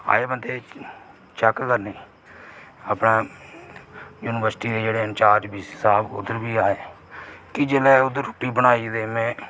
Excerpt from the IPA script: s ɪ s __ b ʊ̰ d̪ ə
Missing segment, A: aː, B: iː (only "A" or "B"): A